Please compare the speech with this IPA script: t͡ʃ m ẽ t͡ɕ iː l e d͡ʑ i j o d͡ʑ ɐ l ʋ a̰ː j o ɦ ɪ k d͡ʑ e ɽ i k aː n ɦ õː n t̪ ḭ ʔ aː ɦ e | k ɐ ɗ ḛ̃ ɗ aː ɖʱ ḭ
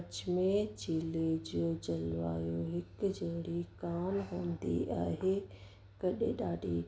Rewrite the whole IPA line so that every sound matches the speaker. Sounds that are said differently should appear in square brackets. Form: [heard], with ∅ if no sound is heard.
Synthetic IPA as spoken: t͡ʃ m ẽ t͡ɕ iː l e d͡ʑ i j o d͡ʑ ɐ l ʋ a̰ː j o ɦ ɪ k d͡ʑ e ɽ i k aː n ɦ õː n [d̪] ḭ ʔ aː ɦ e | k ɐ ɗ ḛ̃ ɗ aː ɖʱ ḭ